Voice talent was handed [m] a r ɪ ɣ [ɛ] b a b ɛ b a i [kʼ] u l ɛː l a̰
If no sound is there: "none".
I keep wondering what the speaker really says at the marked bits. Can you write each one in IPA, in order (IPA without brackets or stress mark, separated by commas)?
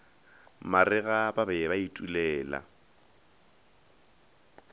m, a, tʼ